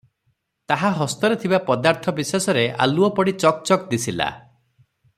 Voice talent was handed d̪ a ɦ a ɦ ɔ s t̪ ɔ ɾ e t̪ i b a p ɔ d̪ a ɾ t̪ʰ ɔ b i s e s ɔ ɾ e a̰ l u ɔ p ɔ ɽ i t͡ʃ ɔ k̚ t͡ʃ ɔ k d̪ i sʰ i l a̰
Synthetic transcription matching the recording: t̪ a ɦ a ɦ ɔ s t̪ ɔ ɾ e t̪ʰ i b a p ɔ d̪ a ɾ t̪ʰ ɔ b i s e s ɔ ɾ e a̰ l u ɔ p ɔ ɽ i t͡ʃ ɔ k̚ t͡ʃ ɔ k d̪ i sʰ i l a̰

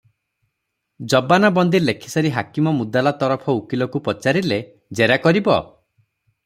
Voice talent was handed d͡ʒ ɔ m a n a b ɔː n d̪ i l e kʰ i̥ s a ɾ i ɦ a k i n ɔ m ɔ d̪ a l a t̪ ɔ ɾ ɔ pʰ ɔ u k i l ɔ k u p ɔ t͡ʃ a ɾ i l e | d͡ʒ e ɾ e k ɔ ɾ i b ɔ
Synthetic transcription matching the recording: d͡ʒ ɔ b a n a b ɔ n d̪ i l e kʰ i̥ s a ɾ i ɦ a k i m ɔ m u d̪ a l a t̪ ɔ ɾ ɔ pʰ ɔ u k i l ɔ k u p ɔ t͡ʃ a ɾ i l e | d͡ʒ e ɾ a k ɔ ɾ i b ɔ

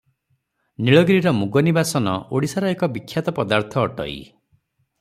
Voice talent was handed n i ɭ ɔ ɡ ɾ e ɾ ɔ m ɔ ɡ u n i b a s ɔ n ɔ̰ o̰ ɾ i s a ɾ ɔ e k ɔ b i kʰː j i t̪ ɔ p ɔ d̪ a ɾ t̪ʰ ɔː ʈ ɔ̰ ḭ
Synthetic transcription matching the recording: n i ɭ ɔ ɡ ɾ i ɾ ɔ m u ɡ ɔ n i b a s ɔ n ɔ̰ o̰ ɽ i s a ɾ ɔ e k ɔ b i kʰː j a t̪ ɔ p ɔ d̪ a ɾ t̪ʰ ɔː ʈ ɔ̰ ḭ

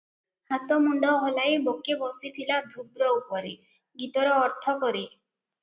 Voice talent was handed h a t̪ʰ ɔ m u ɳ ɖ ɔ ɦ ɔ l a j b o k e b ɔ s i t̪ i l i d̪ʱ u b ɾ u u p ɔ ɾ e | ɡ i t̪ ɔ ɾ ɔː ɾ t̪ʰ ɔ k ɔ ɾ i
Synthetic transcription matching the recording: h a t̪ ɔ m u ɳ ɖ ɔ ɦ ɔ l a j b o k e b ɔ s i t̪ʰ i l a d̪ʱ u b ɾ ɔ u p ɔ ɾ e | ɡ i t̪ ɔ ɾ ɔː ɾ t̪ʰ ɔ k ɔ ɾ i

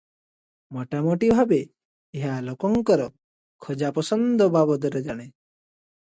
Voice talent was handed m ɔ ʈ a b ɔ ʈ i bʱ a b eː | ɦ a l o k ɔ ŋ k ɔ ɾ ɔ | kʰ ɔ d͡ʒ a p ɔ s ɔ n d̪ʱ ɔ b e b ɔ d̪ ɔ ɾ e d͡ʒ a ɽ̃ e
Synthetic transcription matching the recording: m ɔ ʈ a m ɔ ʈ i bʱ a b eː | ɦ a l o k ɔ ŋ k ɔ ɾ ɔ | kʰ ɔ d͡ʒ a p ɔ s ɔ n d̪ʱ ɔ b a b ɔ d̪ ɔ ɾ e d͡ʒ a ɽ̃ e

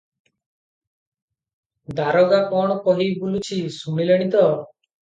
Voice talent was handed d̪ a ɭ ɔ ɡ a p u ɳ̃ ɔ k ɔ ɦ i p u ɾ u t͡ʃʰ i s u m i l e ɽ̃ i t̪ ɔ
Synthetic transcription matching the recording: d̪ a ɾ ɔ ɡ a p ɔ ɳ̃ ɔ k ɔ ɦ i b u l u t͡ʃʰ i s u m i l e ɽ̃ i t̪ ɔ

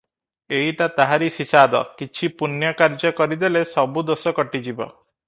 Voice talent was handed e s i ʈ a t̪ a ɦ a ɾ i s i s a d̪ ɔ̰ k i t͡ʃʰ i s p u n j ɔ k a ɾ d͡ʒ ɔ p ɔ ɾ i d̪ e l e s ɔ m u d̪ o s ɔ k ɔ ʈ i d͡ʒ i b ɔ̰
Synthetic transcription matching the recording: e i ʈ a t̪ a ɦ a ɾ i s i s a d̪ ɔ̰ k i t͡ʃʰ i p u n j ɔ k a ɾ d͡ʒ ɔ k ɔ ɾ i d̪ e l e s ɔ b u d̪ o s ɔ k ɔ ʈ i d͡ʒ i b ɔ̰

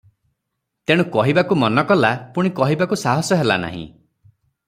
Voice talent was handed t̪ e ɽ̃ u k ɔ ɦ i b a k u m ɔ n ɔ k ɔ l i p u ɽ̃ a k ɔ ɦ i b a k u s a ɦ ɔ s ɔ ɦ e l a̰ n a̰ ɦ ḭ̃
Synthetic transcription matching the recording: t̪ e ɽ̃ u k ɔ ɦ i b a k u m ɔ n ɔ k ɔ l a p u ɽ̃ i k ɔ ɦ i b a k u s a ɦ ɔ s ɔ ɦ e l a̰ n a̰ ɦ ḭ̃

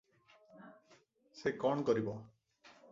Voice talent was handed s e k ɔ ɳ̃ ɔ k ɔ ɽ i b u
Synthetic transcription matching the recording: s e k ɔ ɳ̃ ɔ k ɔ ɾ i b ɔ

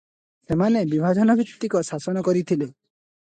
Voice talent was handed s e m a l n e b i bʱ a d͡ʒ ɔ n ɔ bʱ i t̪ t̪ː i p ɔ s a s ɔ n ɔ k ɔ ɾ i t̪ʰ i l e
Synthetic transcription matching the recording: s e m a n e b i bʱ a d͡ʒ ɔ n ɔ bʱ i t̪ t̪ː i k ɔ s a s ɔ n ɔ k ɔ ɾ i t̪ʰ i l e

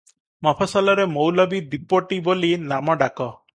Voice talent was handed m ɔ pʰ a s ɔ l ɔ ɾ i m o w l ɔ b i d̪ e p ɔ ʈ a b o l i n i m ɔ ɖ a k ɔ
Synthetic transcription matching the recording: m ɔ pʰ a s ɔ l ɔ ɾ e m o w l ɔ b i d̪ i p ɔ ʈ i b o l i n a m ɔ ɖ a k ɔ

